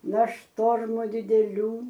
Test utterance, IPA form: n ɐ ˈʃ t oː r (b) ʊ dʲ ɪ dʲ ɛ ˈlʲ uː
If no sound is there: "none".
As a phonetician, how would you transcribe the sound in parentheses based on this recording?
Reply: m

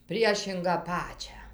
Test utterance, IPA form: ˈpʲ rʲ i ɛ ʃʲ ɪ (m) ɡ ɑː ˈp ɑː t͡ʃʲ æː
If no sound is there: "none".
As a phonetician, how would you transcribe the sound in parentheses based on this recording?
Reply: ŋ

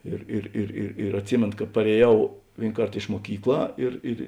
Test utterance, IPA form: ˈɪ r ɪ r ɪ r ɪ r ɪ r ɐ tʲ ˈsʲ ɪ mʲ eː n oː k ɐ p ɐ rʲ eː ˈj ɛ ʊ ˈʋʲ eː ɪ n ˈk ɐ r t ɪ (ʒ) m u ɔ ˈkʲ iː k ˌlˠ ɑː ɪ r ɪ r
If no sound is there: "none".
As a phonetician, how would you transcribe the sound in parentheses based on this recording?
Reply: ʃ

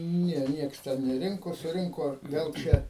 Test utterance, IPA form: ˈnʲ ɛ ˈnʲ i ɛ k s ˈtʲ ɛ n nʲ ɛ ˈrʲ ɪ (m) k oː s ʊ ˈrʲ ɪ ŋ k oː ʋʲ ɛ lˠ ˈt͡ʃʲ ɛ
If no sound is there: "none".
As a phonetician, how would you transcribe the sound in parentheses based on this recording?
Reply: ŋ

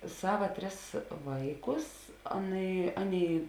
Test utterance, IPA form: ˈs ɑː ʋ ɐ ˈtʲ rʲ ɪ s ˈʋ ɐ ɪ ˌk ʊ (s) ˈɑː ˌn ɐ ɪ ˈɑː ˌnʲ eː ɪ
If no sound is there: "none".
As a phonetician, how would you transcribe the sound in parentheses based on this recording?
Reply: s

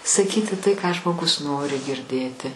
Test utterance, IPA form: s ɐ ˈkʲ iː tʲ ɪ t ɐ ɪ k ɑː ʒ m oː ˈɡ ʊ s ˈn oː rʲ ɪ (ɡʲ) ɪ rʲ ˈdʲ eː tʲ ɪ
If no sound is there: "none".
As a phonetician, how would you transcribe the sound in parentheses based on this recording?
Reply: ɡʲ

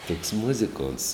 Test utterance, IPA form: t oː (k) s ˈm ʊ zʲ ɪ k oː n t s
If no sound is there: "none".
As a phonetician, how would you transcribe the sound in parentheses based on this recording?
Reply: k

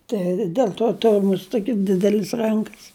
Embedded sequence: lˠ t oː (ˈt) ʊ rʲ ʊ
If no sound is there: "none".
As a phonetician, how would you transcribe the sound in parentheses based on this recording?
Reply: t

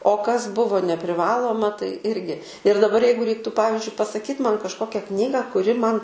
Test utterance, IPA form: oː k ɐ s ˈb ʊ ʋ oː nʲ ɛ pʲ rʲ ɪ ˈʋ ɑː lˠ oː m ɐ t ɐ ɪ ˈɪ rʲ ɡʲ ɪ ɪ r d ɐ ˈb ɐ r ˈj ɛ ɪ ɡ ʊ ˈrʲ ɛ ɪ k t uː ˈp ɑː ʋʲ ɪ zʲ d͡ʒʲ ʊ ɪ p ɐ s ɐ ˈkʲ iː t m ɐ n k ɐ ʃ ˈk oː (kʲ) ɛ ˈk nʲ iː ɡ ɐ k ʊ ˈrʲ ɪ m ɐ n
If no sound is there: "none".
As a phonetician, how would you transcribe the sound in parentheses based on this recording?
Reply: kʲ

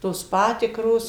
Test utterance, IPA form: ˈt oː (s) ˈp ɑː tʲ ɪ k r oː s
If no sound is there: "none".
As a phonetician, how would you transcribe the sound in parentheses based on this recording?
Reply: s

